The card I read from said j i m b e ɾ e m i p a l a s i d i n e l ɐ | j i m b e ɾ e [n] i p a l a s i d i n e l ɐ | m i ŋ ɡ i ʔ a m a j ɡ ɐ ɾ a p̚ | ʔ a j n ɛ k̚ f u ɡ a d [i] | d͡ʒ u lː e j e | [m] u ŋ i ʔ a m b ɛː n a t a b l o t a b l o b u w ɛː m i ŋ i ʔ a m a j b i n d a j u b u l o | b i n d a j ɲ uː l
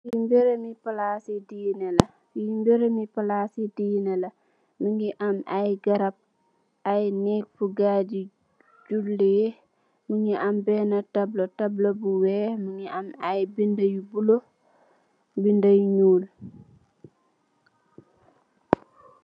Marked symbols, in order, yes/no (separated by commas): no, yes, yes